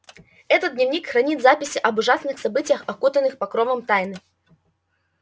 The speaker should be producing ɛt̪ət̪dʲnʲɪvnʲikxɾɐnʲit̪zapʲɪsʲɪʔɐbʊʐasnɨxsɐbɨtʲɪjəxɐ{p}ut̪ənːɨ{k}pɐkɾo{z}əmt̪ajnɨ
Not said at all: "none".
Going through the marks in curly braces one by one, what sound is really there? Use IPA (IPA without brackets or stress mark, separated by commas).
k, x, v